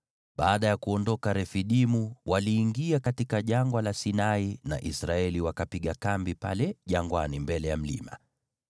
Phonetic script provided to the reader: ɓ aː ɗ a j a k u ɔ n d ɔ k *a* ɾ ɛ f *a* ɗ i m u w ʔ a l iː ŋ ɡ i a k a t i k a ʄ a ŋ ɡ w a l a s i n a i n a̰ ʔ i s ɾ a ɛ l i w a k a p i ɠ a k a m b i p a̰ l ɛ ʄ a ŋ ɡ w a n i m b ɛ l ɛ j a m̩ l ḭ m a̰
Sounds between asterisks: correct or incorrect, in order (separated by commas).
correct, incorrect